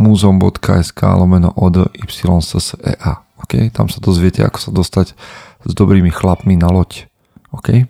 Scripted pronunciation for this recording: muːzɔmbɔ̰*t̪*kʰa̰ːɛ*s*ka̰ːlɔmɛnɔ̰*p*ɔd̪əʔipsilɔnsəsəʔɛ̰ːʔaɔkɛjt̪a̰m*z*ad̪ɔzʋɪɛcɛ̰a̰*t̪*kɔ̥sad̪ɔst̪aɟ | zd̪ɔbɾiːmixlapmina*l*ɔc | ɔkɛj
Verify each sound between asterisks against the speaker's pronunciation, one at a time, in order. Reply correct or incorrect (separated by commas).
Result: correct, correct, incorrect, incorrect, incorrect, correct